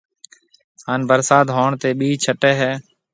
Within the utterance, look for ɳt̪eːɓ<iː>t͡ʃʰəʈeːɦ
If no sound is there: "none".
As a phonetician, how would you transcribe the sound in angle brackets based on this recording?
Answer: iː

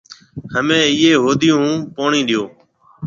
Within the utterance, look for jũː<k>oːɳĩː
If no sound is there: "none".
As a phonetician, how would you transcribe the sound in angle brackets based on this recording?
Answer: p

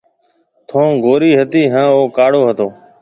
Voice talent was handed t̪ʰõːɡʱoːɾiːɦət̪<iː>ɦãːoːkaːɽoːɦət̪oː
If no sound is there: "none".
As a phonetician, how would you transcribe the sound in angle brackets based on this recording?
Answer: iː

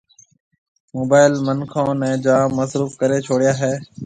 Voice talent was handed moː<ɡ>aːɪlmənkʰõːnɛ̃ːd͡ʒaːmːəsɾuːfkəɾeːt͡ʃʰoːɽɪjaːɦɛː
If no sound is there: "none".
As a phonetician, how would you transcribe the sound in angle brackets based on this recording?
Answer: b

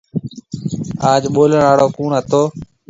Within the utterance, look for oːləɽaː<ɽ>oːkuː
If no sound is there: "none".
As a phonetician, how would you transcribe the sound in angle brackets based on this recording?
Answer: ɽ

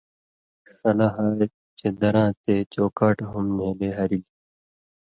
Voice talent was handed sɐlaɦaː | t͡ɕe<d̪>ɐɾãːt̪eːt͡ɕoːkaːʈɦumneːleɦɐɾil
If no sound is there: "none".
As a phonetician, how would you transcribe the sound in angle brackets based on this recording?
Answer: d̪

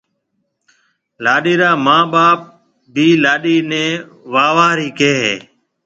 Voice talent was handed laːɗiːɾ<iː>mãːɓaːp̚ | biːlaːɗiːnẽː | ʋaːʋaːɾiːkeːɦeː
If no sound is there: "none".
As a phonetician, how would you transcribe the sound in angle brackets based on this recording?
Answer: aː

